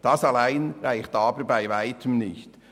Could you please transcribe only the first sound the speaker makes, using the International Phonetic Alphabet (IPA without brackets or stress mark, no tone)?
d̥